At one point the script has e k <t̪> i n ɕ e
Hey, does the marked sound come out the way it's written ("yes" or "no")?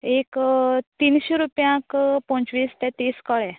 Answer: yes